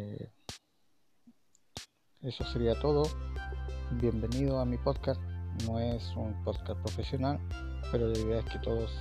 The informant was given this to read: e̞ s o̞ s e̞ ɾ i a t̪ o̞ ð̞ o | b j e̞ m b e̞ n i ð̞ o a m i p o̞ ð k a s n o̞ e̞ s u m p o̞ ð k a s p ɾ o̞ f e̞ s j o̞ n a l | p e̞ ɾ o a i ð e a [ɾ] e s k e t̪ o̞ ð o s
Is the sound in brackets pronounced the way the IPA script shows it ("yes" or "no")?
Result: no